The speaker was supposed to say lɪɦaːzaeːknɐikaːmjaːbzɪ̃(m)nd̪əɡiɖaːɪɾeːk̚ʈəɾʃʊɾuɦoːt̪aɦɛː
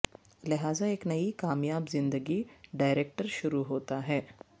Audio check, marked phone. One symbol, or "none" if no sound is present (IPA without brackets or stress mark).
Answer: none